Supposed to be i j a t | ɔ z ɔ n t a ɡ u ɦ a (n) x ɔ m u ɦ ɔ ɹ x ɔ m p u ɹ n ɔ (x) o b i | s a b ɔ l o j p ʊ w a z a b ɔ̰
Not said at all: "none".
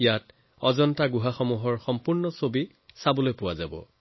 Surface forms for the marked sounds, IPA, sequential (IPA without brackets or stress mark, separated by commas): none, s